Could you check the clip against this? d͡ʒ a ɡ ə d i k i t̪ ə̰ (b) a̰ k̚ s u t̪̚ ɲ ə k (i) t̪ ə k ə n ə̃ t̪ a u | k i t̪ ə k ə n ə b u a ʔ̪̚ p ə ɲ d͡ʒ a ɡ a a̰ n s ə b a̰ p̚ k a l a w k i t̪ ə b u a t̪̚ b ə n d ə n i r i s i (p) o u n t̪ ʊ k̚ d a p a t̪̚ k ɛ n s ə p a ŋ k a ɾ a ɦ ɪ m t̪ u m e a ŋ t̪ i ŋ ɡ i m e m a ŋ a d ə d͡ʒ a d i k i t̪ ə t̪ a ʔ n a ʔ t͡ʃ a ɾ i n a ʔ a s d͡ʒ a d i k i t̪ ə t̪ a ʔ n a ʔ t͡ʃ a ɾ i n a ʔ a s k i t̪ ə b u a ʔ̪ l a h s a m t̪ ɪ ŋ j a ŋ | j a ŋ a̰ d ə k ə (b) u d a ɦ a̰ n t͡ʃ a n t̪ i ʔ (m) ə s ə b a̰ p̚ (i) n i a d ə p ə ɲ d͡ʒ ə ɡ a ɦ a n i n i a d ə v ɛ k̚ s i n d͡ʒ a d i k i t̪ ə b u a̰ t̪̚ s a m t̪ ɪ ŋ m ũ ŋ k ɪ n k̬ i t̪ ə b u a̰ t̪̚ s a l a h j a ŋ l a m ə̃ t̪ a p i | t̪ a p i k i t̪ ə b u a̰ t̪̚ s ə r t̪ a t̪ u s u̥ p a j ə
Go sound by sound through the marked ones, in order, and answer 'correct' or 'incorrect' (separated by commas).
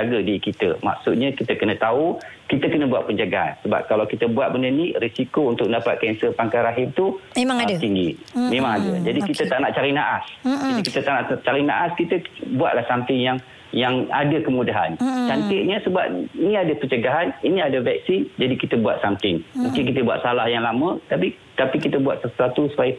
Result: incorrect, correct, incorrect, incorrect, incorrect, correct